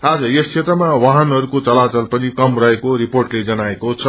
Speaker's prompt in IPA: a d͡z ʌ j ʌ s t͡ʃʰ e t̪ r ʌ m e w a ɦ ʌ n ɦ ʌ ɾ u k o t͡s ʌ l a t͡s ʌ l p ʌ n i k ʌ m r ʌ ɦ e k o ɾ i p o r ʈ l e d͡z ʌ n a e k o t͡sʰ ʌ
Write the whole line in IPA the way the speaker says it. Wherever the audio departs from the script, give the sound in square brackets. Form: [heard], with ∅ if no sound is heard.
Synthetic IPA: a d͡z ʌ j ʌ s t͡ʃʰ e t̪ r ʌ m [a] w a ɦ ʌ n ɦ ʌ ɾ u k o t͡s ʌ l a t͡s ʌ l p ʌ n i k ʌ m r ʌ ɦ e k o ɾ i p o r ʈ l e d͡z ʌ n a e k o t͡sʰ ʌ